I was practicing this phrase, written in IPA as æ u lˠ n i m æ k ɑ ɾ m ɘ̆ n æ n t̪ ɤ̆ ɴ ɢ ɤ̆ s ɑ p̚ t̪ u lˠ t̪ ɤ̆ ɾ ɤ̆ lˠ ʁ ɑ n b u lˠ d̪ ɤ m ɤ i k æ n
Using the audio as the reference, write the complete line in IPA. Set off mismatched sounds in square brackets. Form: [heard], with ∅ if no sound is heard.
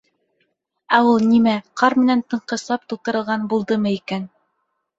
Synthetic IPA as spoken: æ u lˠ n i m æ [q] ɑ ɾ m ɘ̆ n æ n t̪ ɤ̆ ɴ [q] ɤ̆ s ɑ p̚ t̪ u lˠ t̪ ɤ̆ ɾ ɤ̆ lˠ ʁ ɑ n b u lˠ d̪ ɤ m ɤ i k æ n